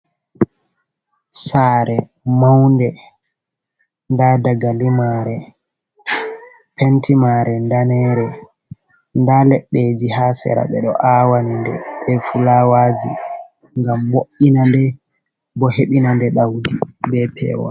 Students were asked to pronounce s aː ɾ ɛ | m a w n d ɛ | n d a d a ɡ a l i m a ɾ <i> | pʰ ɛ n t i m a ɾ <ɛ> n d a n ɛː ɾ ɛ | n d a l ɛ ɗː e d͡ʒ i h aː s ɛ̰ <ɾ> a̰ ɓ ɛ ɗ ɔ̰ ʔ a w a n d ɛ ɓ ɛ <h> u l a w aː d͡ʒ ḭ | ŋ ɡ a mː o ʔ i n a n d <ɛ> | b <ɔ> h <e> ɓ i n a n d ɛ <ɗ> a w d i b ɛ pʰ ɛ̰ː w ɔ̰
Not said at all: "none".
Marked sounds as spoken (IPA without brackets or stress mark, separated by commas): ɛ, ɛ, ɾ, f, ɛ, ɔ, e, ɗ